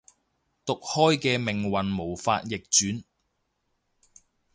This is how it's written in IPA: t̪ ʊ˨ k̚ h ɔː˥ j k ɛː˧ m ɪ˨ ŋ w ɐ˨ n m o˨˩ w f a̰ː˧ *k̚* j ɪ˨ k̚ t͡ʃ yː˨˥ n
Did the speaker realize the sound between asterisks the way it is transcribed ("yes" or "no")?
no